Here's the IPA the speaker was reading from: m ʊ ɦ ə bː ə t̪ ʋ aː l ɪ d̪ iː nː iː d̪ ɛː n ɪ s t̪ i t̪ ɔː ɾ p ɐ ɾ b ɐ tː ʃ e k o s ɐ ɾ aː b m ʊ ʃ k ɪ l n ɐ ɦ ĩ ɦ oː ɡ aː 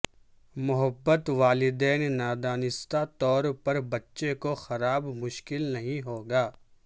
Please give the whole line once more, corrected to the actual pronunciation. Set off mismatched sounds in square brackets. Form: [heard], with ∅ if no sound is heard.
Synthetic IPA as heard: m ʊ ɦ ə bː ə t̪ ʋ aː l ɪ d̪ [ɛː] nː [aː] d̪ [aː] n ɪ s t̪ [a] t̪ ɔː ɾ p ɐ ɾ b ɐ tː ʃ e k o [x] ɐ ɾ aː b m ʊ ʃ k ɪ l n ɐ ɦ ĩ ɦ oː ɡ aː